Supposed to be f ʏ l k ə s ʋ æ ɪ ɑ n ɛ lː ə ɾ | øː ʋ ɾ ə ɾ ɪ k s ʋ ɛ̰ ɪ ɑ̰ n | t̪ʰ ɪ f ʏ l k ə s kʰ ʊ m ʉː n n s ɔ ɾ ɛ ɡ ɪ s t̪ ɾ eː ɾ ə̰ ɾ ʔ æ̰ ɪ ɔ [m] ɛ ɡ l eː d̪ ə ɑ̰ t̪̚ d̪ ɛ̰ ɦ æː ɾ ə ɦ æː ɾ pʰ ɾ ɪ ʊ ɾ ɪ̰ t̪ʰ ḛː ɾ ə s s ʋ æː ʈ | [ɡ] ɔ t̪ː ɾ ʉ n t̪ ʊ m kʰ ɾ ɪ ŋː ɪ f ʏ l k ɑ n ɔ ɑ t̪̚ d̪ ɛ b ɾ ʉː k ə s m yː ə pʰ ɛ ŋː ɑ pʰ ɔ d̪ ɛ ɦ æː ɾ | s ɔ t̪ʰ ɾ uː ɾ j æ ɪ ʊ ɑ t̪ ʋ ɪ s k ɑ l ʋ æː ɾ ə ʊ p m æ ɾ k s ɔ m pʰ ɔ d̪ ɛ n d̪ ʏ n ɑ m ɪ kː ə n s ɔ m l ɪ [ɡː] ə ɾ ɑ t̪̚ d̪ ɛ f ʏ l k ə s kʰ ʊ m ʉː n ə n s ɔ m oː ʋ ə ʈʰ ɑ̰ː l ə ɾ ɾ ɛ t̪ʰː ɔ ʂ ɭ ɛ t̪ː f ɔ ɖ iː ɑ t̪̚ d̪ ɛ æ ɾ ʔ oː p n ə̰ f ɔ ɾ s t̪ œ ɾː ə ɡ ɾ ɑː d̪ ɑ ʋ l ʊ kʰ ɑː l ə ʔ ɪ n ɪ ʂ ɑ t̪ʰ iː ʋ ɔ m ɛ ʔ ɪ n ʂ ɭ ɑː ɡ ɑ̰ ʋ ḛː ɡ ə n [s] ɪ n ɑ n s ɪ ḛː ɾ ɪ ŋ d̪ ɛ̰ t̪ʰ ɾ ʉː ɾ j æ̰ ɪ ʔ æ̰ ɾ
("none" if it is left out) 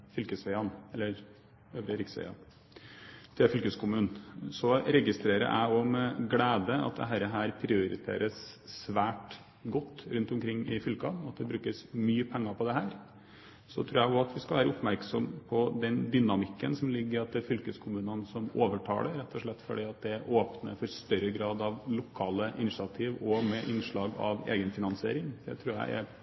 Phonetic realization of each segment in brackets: m, ɡ, ɡː, f

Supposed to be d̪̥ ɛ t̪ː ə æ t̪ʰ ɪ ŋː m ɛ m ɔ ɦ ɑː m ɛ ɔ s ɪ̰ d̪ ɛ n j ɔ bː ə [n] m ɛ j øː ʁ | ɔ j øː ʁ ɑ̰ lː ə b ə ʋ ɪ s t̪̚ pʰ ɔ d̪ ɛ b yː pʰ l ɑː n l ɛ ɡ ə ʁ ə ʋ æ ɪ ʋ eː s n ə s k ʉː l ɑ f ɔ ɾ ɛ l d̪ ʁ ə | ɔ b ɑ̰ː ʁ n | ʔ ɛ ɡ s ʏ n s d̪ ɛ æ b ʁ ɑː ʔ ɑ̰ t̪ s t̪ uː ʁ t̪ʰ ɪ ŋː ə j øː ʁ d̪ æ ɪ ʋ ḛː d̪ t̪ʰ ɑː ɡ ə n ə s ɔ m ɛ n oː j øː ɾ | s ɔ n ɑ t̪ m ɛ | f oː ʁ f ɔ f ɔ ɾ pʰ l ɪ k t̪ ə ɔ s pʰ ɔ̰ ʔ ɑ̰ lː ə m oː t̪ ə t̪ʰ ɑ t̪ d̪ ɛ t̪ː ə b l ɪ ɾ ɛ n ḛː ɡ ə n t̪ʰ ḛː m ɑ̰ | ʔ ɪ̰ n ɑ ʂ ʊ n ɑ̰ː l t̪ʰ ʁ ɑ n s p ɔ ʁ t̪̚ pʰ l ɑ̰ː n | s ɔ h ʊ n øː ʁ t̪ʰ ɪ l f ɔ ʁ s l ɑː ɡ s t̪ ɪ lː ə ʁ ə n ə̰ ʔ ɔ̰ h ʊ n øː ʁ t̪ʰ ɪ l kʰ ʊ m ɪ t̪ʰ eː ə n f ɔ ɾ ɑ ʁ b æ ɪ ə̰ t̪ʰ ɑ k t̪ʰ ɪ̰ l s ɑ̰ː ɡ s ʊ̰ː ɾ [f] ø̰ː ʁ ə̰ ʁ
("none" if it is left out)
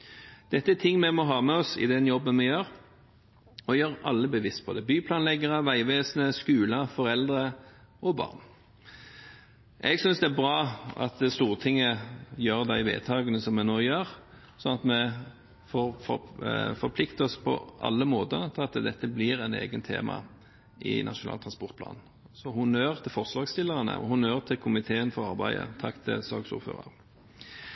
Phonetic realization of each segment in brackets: n, f

